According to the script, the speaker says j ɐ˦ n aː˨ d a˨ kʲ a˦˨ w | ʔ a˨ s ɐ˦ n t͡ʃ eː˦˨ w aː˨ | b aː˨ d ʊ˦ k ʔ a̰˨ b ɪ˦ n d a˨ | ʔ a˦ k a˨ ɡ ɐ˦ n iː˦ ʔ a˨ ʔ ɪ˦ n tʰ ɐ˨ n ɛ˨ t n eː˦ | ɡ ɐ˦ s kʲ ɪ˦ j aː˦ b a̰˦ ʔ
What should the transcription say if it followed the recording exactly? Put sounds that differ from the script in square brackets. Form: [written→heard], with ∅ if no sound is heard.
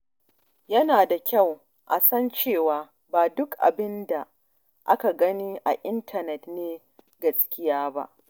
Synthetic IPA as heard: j ɐ˦ n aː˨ d a˨ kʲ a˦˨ w | ʔ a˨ s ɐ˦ n t͡ʃ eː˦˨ w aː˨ | b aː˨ d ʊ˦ k ʔ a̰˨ b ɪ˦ n d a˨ | ʔ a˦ k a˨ ɡ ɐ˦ n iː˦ ʔ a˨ ʔ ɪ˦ n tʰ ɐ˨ n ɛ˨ t n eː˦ | ɡ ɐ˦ s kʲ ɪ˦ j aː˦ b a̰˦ ʔ